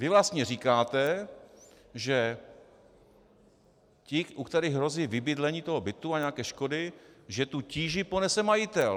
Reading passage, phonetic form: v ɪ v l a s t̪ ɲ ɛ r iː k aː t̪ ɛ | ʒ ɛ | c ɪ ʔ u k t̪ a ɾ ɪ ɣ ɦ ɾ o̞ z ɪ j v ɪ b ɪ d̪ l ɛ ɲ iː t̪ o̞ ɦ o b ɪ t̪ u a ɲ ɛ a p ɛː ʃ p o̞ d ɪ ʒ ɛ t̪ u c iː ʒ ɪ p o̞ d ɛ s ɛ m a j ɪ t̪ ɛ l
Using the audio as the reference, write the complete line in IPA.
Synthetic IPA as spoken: v ɪ v l a s t̪ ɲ ɛ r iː k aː t̪ ɛ | ʒ ɛ | c ɪ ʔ u k t̪ ɛ ɾ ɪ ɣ ɦ ɾ o̞ z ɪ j v ɪ b ɪ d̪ l ɛ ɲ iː t̪ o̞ ɦ o b ɪ t̪ u a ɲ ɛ a k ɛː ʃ k o̞ d ɪ ʒ ɛ t̪ u c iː ʒ ɪ p o̞ n ɛ s ɛ m a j ɪ t̪ ɛ l